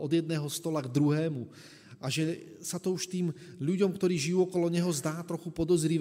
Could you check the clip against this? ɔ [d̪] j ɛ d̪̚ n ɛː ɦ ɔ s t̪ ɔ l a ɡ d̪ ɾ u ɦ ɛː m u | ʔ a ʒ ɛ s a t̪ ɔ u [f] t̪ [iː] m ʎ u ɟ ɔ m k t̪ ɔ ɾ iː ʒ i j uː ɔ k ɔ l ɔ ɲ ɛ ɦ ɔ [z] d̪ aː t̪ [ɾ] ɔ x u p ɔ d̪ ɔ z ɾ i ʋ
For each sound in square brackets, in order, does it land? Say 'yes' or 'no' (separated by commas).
yes, no, yes, yes, yes